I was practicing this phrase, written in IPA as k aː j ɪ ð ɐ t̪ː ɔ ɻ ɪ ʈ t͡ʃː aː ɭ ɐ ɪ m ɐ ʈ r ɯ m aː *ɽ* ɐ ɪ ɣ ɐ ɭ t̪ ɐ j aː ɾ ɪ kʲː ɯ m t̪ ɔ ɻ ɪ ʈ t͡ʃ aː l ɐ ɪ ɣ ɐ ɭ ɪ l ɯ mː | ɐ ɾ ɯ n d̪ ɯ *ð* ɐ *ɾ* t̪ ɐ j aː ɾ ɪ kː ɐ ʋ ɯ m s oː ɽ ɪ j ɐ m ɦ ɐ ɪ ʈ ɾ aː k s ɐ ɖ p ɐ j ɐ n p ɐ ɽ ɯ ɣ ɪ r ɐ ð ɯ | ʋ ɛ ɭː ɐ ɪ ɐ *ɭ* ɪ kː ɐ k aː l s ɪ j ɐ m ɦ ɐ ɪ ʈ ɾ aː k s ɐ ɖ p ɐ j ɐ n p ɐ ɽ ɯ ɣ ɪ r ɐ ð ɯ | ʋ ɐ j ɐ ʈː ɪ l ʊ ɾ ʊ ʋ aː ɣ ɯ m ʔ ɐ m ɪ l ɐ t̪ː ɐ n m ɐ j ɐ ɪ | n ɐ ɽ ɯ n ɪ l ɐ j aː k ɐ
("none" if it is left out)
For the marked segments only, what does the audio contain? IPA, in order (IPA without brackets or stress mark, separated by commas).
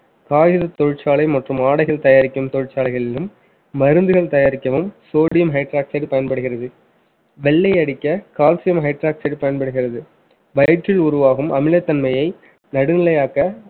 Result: ɽ, ɣ, ɭ, ɽ